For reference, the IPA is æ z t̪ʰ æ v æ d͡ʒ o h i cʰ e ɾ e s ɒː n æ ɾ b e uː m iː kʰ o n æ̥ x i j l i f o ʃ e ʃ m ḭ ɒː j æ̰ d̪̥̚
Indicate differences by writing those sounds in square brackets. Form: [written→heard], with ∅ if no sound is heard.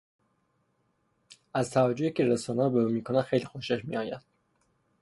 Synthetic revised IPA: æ z t̪ʰ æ v æ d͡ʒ o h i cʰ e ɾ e s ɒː n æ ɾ b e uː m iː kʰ o n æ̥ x [i→e] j l i [f→x] o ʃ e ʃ m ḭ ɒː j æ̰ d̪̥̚